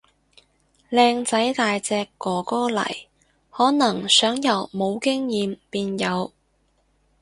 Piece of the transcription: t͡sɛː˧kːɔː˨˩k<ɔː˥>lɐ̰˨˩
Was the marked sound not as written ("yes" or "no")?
no